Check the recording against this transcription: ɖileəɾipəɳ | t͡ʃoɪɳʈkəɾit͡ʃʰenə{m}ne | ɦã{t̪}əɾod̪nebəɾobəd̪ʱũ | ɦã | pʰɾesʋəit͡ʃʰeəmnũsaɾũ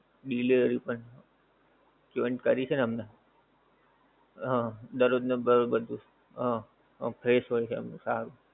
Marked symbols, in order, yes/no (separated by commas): yes, no